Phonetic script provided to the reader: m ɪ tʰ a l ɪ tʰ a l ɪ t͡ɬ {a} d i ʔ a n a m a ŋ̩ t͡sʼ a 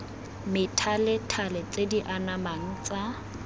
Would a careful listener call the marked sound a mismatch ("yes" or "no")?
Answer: yes